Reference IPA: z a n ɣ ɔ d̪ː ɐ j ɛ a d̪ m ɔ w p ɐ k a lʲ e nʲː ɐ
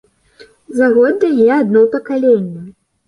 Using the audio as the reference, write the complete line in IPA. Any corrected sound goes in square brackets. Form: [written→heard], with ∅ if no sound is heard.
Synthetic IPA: z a [n→∅] ɣ ɔ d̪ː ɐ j ɛ a d̪ [m→n] ɔ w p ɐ k a lʲ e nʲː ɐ